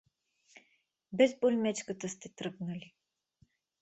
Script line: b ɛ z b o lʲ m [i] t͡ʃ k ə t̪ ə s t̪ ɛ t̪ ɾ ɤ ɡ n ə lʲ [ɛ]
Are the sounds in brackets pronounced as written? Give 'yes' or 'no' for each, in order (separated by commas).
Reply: no, no